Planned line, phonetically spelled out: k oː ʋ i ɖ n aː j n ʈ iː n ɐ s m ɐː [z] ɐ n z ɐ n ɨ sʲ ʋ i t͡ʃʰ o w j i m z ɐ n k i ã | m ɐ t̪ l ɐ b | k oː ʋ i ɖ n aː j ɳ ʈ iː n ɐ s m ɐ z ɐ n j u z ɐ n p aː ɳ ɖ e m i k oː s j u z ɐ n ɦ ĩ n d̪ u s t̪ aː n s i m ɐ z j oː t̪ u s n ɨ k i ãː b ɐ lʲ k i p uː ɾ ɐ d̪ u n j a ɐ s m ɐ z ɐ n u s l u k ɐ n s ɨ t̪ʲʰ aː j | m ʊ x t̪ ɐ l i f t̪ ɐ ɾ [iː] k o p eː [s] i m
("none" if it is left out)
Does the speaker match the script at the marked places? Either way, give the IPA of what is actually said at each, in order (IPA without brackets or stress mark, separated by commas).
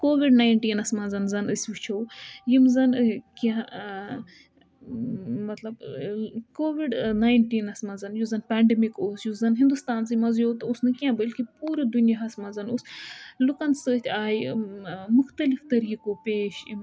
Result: z, iː, ʃ